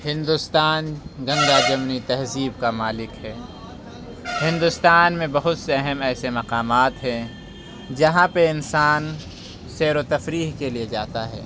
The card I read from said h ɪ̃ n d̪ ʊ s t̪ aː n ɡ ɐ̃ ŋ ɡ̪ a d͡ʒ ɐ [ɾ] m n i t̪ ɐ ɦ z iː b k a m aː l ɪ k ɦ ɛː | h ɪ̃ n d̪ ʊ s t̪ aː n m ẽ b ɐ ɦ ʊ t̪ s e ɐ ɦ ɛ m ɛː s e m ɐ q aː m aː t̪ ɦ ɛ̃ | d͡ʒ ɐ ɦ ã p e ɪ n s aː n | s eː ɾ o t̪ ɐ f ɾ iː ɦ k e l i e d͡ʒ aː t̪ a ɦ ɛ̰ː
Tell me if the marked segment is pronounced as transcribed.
no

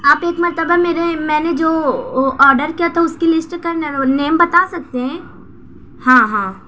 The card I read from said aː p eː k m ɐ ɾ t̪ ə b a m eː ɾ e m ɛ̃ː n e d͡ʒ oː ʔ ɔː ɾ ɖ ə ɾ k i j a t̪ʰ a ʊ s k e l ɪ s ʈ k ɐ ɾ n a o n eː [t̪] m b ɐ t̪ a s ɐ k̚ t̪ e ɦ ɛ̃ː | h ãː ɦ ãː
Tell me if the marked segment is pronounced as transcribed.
no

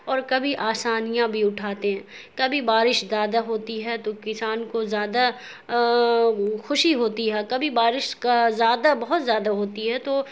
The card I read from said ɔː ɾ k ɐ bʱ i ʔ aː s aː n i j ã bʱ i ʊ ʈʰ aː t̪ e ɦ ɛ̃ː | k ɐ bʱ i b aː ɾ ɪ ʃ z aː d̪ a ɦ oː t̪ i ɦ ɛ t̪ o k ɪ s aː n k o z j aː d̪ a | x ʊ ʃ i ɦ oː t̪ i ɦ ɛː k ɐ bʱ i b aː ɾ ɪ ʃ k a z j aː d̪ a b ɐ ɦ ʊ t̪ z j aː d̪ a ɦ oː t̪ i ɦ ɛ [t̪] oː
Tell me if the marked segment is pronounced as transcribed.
yes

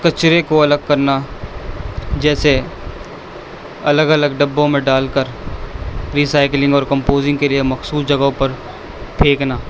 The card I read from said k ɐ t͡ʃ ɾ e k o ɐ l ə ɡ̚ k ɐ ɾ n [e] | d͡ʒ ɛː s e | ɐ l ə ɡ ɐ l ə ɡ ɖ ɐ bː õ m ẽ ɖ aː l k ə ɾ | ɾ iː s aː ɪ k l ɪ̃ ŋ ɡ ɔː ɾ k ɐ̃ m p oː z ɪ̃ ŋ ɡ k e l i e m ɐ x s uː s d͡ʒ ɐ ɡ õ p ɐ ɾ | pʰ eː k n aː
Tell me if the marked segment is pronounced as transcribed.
no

